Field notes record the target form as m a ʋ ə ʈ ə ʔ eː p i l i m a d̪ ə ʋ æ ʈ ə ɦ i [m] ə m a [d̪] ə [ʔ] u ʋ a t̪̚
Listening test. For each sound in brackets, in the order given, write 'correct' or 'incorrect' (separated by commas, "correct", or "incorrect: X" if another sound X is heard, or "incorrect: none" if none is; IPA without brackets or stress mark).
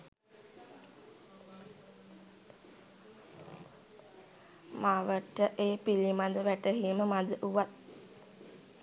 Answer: correct, correct, correct